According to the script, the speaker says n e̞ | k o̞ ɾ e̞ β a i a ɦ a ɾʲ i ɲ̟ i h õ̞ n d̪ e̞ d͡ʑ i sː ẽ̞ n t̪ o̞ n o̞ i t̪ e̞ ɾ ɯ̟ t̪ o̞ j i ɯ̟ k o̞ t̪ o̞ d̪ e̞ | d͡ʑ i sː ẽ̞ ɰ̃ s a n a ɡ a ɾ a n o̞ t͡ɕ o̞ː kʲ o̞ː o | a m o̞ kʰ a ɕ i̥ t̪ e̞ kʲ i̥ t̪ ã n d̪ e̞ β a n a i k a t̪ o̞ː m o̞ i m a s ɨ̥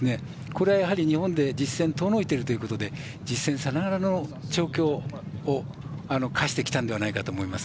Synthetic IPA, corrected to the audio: n e̞ | k o̞ ɾ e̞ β a j a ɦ a ɾʲ i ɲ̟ i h õ̞ n d̪ e̞ d͡ʑ i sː ẽ̞ n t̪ o̞ n o̞ i t̪ e̞ ɾ ɯ̟ t̪ o̞ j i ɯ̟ k o̞ t̪ o̞ d̪ e̞ | d͡ʑ i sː ẽ̞ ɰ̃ s a n a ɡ a ɾ a n o̞ t͡ɕ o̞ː kʲ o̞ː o | a n o̞ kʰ a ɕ i̥ t̪ e̞ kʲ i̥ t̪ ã n d̪ e̞ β a n a i k a t̪ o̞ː m o̞ i m a s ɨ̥